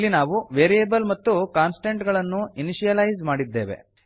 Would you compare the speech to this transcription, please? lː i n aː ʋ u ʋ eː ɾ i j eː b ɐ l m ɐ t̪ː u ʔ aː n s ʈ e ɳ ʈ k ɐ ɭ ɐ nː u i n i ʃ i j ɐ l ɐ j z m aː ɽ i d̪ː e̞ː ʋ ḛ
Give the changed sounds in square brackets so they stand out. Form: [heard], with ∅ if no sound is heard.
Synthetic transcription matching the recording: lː i n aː ʋ u ʋ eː ɾ i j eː b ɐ l m ɐ t̪ː u [k] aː n s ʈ e ɳ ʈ [ɡ] ɐ ɭ ɐ nː u i n i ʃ i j ɐ l ɐ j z m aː ɽ i d̪ː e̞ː ʋ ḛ